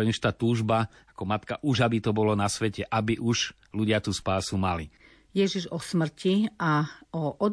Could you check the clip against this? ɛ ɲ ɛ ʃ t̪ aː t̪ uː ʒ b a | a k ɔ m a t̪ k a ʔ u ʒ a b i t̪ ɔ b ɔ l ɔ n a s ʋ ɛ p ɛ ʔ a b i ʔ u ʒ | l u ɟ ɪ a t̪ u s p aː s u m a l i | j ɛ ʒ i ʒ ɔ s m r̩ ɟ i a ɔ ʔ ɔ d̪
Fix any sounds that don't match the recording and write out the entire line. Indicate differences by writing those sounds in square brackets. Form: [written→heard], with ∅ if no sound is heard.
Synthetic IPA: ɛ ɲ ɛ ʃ t̪ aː t̪ uː ʒ b a | a k ɔ m a t̪ k a ʔ u ʒ a b i t̪ ɔ b ɔ l ɔ n a s ʋ ɛ [p→c] ɛ ʔ a b i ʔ u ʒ | l u ɟ ɪ a t̪ u s p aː s u m a l i | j ɛ ʒ i ʒ ɔ s m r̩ [ɟ→c] i a ɔ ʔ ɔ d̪